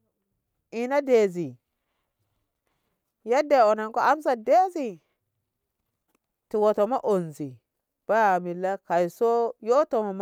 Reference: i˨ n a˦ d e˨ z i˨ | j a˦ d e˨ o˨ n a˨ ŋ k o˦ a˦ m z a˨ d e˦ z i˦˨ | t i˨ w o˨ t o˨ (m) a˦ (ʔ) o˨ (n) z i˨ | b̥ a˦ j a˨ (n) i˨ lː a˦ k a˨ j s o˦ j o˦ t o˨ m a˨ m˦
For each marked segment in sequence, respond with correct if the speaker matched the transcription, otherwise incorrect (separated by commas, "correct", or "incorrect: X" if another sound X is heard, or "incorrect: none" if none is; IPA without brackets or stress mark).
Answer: correct, correct, correct, incorrect: m